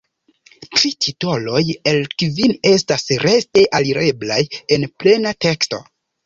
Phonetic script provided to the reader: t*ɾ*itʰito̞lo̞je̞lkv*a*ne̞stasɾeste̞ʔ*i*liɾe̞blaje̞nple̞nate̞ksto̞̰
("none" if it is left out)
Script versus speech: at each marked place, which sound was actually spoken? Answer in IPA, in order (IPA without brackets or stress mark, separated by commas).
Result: ɾ, i, a